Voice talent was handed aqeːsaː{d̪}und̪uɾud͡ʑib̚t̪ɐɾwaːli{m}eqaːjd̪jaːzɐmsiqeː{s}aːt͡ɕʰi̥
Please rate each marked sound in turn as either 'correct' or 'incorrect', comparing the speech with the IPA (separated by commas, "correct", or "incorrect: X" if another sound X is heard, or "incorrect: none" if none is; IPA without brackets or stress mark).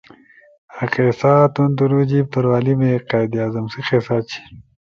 incorrect: t̪, correct, correct